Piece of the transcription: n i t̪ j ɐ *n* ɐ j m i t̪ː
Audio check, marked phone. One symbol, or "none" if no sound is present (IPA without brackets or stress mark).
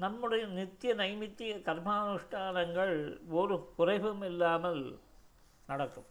n